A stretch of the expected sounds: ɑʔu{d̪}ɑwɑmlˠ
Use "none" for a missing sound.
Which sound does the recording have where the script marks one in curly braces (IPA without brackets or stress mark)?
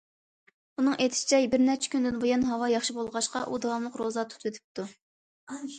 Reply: d̪